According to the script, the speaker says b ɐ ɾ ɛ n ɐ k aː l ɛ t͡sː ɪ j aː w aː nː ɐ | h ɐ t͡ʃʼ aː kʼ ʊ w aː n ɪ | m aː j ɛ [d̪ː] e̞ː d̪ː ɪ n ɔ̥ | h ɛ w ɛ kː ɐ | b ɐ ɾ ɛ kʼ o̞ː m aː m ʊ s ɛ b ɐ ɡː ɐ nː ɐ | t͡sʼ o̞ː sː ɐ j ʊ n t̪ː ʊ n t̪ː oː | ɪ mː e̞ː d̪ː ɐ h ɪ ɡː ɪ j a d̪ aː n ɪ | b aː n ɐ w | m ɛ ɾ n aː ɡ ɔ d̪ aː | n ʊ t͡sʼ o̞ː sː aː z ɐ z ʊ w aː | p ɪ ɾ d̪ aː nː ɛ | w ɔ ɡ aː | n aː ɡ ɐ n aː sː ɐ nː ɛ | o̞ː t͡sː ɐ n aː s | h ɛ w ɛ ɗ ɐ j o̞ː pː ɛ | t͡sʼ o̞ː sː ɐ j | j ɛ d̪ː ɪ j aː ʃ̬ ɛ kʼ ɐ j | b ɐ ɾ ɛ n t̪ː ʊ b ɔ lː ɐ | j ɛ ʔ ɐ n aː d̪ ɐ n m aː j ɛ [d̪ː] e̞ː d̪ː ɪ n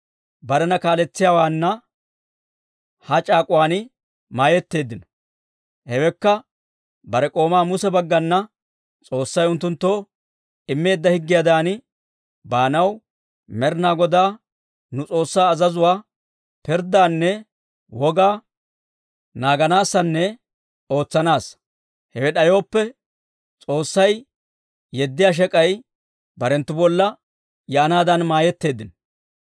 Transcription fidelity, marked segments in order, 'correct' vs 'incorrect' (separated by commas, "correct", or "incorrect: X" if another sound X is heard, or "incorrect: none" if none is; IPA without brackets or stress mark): incorrect: t̪ː, incorrect: t̪ː